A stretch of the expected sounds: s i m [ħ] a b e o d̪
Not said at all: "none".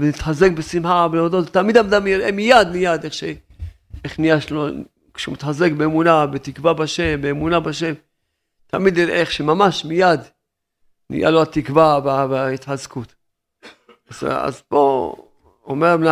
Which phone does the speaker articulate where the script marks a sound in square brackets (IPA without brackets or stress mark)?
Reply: ħ